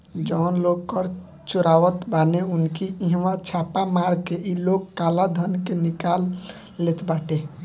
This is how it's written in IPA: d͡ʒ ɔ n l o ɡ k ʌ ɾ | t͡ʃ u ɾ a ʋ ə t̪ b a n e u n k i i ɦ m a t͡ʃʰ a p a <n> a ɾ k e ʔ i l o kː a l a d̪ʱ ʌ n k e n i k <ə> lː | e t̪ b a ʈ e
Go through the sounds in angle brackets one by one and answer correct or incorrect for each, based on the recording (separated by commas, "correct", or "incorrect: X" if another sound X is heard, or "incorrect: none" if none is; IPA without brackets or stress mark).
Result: incorrect: m, incorrect: a